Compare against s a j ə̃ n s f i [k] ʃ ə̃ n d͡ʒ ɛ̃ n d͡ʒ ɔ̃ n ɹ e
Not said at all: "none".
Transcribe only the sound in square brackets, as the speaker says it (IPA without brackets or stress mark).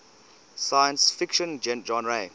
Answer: k